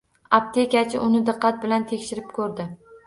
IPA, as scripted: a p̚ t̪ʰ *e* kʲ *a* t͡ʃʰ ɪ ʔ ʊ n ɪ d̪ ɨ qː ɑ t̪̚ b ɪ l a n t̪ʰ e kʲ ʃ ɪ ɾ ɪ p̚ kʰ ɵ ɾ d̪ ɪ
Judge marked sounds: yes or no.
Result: yes, yes

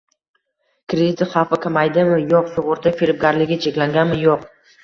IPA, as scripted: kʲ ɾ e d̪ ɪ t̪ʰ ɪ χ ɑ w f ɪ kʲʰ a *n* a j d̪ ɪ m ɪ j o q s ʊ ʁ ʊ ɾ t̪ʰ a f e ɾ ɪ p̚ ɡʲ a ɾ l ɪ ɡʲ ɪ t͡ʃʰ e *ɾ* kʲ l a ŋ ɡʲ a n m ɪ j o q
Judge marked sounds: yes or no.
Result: no, no

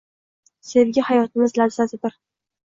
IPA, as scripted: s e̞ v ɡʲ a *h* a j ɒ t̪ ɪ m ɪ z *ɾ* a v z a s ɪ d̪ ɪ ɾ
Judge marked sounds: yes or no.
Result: yes, no

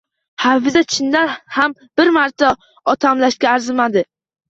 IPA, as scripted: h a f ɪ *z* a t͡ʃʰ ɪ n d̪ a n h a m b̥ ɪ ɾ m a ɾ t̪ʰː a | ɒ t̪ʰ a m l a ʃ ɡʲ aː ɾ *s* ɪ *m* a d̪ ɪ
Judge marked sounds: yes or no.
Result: yes, no, yes

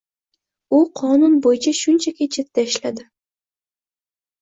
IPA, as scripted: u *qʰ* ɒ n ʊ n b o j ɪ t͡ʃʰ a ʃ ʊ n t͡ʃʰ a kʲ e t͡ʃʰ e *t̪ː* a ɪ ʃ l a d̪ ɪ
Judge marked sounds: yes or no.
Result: yes, yes

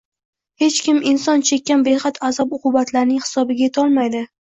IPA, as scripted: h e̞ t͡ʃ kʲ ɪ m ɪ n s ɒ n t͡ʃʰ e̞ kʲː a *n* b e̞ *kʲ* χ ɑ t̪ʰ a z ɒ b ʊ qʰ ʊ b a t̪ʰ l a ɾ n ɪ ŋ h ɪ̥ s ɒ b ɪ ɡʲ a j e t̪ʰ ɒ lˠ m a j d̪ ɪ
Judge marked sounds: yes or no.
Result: yes, no

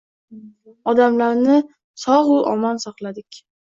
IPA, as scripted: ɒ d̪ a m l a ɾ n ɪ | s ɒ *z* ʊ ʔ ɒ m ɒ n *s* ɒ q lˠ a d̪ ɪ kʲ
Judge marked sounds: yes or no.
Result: no, yes

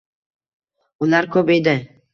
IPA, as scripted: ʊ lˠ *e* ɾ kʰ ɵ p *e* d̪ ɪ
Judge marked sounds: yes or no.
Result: no, yes

